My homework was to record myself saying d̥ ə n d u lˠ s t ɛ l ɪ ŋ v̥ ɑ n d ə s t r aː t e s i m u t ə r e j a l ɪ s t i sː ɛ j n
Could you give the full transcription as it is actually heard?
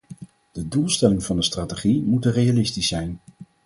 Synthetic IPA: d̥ ə d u lˠ s t ɛ l ɪ ŋ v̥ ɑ n d ə s t r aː t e χ i m u t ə r e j a l ɪ s t i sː ɛ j n